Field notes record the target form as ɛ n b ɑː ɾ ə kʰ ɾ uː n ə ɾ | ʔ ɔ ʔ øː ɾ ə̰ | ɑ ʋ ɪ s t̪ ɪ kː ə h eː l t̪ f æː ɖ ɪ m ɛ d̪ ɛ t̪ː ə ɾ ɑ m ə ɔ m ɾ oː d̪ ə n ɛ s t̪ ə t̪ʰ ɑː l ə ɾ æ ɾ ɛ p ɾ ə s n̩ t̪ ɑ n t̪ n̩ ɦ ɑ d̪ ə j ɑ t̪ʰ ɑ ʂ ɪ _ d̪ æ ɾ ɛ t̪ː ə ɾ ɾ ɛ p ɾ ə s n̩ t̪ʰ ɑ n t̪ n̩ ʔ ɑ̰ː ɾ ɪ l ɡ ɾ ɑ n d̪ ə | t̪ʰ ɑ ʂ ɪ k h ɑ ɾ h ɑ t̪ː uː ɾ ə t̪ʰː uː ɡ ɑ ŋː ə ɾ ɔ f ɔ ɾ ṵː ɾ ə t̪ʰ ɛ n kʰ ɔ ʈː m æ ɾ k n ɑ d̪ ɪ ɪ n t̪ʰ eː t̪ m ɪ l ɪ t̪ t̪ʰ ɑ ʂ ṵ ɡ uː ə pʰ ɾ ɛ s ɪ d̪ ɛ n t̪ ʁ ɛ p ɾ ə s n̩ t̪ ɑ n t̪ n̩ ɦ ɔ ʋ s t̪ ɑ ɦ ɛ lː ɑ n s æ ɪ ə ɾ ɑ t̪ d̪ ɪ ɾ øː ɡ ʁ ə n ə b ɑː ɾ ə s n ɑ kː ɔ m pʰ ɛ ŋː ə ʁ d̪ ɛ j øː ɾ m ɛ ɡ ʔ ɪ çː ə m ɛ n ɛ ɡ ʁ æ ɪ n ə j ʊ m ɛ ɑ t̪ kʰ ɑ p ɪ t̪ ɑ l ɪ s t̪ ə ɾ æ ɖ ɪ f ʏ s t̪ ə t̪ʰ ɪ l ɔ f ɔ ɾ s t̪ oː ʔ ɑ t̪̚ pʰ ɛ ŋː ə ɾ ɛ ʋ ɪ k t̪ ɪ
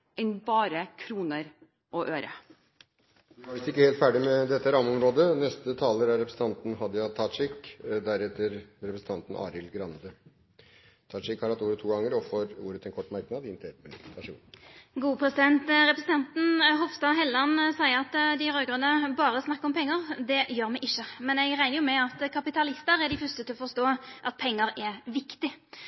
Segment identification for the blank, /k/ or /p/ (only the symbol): k